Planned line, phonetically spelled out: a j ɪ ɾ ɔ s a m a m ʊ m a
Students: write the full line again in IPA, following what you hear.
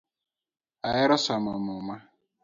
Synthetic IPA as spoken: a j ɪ ɾ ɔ s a m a m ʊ m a